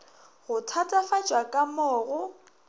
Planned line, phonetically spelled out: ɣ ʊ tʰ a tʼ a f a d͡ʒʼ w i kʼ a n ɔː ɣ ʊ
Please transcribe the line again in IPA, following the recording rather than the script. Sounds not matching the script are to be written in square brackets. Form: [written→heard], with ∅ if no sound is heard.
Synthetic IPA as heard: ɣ ʊ tʰ a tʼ a f a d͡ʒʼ w [i→a] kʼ a [n→m] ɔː ɣ ʊ